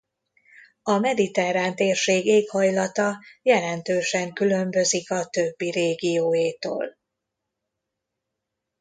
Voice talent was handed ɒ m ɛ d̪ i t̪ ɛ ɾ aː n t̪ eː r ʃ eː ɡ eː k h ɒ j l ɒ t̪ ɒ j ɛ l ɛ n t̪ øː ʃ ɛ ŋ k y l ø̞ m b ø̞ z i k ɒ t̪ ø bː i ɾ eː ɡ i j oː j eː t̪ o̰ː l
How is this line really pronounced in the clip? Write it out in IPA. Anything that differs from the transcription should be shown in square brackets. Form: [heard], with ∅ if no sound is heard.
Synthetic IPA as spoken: ɒ m ɛ d̪ i t̪ ɛ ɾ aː n t̪ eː r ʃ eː ɡ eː k h ɒ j l ɒ t̪ ɒ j ɛ l ɛ n t̪ øː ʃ ɛ ŋ k y l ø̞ m b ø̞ z i k ɒ t̪ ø bː i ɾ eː ɡ i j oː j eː t̪ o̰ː l